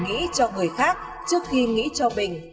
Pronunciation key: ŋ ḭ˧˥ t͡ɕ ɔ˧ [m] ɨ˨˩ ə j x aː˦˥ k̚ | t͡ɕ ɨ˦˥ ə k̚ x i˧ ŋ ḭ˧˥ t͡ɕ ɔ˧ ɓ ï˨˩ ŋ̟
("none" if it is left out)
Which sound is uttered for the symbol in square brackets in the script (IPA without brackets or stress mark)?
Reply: ŋ